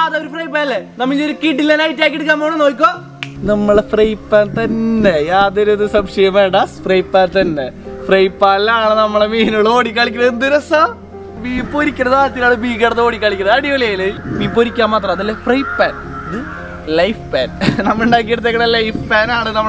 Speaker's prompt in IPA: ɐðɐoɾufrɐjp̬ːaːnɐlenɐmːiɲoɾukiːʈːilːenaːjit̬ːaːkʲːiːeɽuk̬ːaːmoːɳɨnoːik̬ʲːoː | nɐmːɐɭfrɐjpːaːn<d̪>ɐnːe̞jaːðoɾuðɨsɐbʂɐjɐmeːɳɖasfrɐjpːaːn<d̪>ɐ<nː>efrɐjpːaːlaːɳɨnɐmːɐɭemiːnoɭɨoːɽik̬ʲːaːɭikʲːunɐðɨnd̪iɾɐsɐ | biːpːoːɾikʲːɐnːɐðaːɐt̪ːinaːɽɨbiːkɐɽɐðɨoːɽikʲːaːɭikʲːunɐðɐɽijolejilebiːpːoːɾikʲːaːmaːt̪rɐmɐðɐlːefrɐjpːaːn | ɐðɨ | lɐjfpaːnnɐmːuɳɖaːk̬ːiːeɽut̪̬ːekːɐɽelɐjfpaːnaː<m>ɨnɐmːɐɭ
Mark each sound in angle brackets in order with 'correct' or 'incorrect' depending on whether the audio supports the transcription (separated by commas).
incorrect, incorrect, correct, incorrect